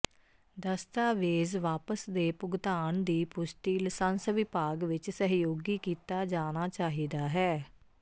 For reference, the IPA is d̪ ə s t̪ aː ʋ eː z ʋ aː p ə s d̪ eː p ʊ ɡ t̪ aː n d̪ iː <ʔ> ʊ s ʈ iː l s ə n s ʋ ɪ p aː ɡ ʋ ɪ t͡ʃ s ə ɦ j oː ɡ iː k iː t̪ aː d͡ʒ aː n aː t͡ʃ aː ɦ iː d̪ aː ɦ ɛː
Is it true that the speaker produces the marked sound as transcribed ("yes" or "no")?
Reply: no